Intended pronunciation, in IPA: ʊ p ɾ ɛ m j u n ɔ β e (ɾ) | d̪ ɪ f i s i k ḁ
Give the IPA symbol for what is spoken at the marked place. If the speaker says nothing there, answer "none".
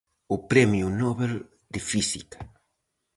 l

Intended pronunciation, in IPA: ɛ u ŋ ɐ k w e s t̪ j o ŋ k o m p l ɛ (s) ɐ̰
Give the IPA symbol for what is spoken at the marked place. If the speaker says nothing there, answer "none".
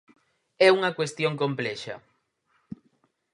ʃ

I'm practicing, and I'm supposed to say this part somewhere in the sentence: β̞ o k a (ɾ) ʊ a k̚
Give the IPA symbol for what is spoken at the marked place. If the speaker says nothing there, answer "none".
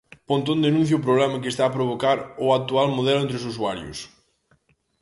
ɾ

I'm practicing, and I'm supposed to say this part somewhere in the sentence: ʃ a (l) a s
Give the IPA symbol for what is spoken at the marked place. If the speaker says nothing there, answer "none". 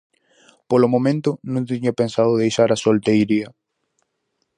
ɾ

